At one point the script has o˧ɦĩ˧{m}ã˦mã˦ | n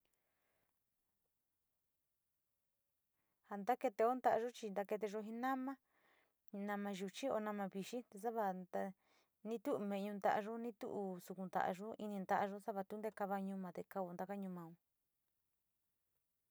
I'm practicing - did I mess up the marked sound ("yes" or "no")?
yes